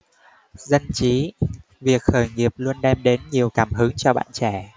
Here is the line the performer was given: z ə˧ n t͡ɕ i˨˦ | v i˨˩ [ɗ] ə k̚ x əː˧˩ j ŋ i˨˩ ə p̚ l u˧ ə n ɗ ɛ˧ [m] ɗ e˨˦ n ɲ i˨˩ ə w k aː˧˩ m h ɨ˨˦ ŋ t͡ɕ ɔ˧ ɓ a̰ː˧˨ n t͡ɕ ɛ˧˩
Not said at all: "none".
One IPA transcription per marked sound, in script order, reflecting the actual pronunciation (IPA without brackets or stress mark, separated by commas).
none, m